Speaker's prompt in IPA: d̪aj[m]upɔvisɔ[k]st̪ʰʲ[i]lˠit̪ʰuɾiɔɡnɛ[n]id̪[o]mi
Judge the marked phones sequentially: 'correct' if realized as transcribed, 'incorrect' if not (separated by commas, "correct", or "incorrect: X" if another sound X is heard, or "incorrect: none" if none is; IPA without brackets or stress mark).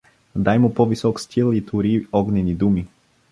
correct, correct, correct, correct, incorrect: u